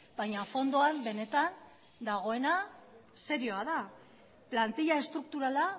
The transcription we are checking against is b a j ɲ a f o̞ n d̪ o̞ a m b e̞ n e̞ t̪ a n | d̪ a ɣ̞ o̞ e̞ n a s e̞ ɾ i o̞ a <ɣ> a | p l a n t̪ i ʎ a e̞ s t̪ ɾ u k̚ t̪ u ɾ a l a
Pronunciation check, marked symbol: incorrect: ð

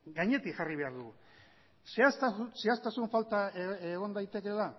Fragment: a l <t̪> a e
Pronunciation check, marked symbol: correct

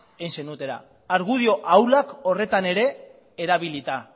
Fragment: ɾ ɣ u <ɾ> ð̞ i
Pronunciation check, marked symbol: incorrect: none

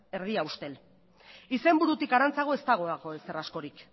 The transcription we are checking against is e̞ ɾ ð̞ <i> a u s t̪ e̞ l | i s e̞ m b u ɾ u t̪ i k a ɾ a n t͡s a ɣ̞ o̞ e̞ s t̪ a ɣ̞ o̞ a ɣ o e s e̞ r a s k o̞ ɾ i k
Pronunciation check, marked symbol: correct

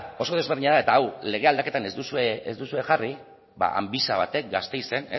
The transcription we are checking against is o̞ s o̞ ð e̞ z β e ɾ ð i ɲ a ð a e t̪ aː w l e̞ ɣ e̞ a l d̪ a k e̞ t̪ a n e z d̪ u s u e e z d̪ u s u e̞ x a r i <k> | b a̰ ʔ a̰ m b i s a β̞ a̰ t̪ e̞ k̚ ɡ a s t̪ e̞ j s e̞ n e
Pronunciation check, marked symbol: incorrect: none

